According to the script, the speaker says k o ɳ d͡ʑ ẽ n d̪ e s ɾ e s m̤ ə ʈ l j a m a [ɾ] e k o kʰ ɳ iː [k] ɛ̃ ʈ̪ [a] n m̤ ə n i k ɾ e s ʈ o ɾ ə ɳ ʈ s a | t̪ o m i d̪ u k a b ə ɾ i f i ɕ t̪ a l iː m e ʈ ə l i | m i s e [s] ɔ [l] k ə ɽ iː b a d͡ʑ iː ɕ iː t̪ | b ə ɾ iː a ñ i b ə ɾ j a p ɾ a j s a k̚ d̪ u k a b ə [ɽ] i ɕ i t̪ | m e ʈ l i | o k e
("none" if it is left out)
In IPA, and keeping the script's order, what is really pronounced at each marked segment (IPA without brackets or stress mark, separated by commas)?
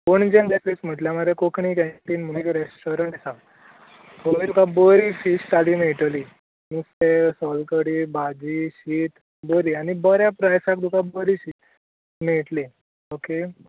ɾ, k, i, s, l, ɾ